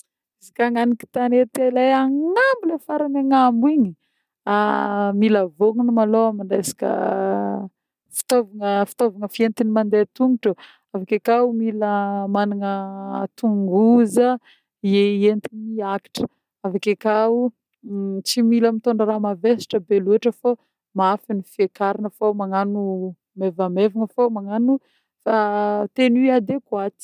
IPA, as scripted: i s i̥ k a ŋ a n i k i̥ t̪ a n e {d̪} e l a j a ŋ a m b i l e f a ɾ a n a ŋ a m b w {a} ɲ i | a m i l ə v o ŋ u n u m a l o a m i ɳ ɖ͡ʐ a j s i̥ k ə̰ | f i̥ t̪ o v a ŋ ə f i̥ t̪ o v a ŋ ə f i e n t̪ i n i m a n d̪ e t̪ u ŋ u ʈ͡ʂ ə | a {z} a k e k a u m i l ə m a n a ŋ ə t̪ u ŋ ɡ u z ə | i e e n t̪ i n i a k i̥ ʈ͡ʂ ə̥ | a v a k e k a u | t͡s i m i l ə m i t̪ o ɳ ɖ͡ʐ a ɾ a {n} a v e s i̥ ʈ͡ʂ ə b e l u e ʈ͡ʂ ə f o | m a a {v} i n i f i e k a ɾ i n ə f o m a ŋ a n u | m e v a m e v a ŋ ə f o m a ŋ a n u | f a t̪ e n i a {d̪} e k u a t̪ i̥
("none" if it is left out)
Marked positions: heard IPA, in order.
t̪, i, v, m, f, d̪

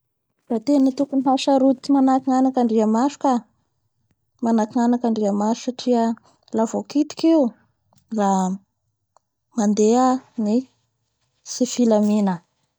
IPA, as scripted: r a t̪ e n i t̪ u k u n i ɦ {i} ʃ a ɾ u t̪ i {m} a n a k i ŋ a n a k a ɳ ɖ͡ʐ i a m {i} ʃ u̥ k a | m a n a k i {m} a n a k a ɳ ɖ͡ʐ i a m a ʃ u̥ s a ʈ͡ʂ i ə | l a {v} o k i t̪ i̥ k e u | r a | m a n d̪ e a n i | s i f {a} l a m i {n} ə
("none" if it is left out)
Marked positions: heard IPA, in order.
a, m, a, ŋ, v, i, n

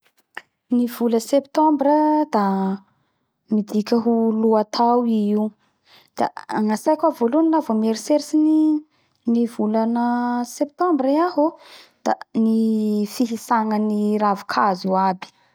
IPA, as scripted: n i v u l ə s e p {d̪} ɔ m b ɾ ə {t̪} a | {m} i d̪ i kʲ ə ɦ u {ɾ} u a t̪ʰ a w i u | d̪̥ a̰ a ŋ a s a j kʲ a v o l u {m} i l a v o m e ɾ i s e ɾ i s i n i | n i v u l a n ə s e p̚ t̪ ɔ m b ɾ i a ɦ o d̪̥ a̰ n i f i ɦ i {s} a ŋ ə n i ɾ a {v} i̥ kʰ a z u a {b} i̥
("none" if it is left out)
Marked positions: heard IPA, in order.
t̪, d̪, m, l, n, s, v, b

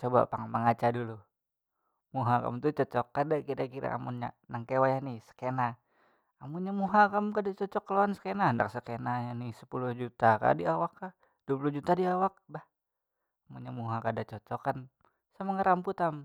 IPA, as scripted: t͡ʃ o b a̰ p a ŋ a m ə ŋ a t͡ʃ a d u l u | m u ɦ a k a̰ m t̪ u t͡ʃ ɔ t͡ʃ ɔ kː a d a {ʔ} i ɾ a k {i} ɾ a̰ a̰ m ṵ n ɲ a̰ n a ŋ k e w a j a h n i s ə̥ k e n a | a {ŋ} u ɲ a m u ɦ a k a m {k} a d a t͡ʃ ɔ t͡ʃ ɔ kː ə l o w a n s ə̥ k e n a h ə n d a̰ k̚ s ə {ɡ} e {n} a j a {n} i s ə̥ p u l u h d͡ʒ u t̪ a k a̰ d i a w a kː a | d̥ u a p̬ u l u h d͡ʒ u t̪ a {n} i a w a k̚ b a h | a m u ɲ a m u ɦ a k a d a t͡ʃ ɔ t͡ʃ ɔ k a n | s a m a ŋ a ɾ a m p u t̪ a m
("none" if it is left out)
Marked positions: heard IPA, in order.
k, i, m, k, k, n, n, d

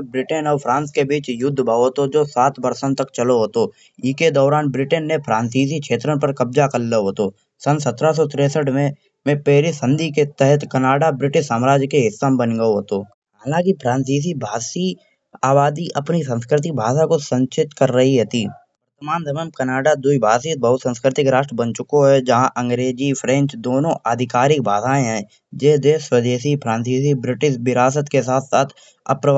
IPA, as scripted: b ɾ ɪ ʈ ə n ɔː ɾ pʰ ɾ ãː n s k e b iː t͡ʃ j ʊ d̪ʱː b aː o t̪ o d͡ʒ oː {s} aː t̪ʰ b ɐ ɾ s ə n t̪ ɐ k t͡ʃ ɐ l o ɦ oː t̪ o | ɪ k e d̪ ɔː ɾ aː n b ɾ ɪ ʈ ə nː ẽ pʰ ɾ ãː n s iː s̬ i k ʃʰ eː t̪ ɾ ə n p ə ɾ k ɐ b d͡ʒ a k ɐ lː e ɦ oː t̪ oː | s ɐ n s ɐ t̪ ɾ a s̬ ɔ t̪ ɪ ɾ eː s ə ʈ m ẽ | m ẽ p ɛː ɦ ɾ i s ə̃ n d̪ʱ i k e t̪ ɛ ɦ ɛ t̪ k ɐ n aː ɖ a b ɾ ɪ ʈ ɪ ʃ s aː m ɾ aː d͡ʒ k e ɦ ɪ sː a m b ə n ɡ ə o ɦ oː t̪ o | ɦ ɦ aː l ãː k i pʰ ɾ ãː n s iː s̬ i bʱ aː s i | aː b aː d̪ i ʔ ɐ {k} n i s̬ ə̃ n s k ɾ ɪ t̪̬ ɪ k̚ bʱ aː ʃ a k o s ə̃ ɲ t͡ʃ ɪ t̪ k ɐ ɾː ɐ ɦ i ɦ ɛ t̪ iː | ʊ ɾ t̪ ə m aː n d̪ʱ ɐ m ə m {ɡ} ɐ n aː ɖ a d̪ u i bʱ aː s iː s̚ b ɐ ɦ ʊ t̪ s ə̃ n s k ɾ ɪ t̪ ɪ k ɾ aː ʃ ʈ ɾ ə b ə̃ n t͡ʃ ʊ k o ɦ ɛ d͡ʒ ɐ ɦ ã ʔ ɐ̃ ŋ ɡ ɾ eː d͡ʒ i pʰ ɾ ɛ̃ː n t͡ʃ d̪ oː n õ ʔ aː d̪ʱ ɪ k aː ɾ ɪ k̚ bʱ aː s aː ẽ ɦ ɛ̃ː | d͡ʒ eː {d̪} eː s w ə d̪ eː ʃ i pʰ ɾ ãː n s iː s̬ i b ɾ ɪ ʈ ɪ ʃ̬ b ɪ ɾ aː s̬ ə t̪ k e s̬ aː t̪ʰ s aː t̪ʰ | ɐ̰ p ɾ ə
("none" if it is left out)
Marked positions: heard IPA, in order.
s, p, k, d̪

